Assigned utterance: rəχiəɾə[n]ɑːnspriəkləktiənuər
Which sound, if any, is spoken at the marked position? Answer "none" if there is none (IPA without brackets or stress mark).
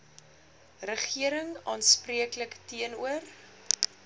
ŋ